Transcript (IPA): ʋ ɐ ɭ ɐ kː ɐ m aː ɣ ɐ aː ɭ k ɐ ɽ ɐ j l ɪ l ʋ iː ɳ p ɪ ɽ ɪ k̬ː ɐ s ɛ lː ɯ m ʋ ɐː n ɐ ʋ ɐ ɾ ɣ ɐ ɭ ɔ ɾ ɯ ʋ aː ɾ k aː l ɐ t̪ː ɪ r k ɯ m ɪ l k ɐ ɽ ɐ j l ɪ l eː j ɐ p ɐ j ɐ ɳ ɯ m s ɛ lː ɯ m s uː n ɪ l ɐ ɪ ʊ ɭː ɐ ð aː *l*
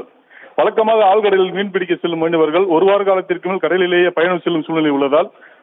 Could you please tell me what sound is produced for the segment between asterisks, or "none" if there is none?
l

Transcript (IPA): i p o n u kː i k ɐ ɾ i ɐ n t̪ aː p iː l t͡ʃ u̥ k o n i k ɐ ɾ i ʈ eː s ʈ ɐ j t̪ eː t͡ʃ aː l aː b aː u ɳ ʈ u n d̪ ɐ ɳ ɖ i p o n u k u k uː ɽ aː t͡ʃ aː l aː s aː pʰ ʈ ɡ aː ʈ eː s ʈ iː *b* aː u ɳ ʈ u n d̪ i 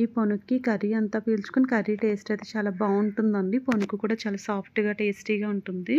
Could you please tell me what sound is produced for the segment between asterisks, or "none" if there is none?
ɡ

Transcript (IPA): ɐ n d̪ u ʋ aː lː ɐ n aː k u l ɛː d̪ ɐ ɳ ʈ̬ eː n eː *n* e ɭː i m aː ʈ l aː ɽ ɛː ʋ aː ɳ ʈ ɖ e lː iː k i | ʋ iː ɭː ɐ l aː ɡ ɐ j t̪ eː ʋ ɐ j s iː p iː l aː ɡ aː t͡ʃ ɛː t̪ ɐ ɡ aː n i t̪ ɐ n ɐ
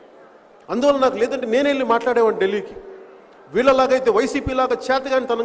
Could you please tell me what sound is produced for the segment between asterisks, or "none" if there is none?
n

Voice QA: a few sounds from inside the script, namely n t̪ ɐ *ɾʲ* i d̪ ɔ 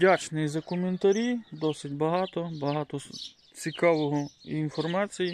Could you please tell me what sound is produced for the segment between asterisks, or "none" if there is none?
ɾʲ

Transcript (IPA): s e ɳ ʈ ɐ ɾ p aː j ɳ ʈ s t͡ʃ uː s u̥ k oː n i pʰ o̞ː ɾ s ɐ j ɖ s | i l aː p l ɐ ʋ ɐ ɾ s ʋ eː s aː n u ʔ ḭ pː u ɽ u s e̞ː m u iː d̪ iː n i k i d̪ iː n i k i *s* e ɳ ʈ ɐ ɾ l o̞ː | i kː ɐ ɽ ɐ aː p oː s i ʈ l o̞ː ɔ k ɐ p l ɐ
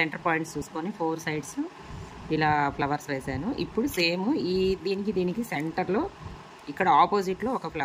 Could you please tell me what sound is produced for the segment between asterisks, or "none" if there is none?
s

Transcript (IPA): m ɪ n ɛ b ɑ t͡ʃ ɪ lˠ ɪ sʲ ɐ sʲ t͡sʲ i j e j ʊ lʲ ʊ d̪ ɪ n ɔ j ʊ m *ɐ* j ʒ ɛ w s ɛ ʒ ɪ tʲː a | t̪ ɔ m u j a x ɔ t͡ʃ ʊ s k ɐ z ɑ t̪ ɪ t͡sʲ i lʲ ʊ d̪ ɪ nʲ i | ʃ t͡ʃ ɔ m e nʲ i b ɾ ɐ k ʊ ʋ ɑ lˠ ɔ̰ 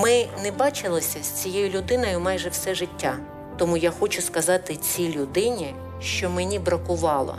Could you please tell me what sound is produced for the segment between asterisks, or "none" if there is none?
ɑ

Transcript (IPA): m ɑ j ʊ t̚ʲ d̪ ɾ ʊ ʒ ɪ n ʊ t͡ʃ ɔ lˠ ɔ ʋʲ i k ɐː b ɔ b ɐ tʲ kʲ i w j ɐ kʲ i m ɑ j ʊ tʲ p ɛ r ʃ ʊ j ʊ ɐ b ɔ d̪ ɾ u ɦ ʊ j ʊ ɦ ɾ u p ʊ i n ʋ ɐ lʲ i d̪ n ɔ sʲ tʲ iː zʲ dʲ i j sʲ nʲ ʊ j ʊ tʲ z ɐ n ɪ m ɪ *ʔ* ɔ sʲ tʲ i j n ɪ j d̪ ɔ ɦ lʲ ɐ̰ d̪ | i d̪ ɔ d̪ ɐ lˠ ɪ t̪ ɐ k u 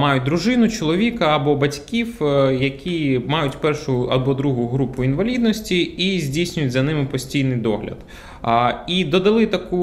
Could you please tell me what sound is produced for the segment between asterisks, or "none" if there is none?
p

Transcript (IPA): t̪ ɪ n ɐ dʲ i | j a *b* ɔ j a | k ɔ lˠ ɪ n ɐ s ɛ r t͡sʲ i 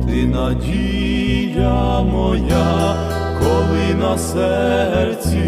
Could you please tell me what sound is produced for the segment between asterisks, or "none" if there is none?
m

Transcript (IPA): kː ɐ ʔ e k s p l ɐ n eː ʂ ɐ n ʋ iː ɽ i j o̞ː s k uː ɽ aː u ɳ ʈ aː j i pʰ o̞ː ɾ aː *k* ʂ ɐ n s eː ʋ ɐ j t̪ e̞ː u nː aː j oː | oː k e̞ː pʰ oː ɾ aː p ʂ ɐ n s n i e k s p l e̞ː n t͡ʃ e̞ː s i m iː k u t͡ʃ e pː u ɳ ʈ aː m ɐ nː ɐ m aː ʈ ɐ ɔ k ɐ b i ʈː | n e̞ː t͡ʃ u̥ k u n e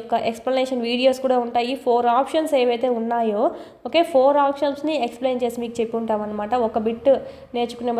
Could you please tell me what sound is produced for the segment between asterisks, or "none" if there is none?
p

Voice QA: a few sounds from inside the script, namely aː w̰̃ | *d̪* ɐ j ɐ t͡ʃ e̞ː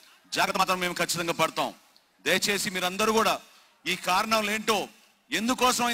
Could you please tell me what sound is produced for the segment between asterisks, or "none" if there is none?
d̪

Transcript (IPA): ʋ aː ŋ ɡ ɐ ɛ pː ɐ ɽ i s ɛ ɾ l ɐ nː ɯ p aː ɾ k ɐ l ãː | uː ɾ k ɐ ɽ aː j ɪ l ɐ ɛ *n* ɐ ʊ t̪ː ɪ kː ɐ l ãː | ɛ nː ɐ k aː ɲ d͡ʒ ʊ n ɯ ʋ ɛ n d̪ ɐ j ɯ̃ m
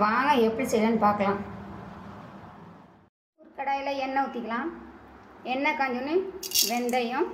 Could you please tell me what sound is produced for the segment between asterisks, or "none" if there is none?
nː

